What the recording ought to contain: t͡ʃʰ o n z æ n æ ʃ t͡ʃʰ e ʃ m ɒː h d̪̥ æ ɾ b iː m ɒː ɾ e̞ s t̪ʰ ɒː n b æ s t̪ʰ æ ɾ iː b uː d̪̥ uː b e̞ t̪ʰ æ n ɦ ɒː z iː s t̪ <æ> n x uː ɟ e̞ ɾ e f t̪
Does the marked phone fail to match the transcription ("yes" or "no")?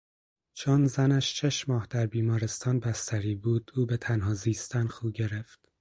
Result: no